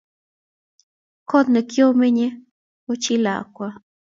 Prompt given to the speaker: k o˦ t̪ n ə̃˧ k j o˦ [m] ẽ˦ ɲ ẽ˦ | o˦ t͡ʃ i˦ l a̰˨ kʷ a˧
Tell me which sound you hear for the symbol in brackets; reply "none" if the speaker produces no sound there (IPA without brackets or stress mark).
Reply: m